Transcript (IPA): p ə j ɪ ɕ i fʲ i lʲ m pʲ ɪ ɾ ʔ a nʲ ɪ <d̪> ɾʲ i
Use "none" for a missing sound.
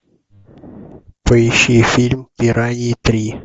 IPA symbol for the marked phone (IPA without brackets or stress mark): t̪